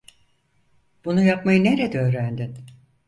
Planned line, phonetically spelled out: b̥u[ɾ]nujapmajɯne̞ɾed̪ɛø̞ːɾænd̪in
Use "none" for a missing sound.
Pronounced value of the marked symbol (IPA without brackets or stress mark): none